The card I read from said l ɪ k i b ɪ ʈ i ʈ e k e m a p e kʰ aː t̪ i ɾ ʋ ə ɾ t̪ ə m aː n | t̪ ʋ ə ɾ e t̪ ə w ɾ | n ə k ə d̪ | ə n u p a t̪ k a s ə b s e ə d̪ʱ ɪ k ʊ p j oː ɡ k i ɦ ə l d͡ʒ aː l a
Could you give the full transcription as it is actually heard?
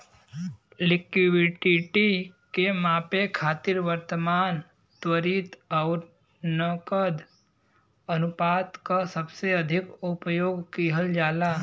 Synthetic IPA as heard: l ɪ k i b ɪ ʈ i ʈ i k e m a p e kʰ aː t̪ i ɾ ʋ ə ɾ t̪ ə m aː n | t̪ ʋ ə ɾ i t̪ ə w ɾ | n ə k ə d̪ | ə n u p a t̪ k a s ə b s e ə d̪ʱ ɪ k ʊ p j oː ɡ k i ɦ ə l d͡ʒ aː l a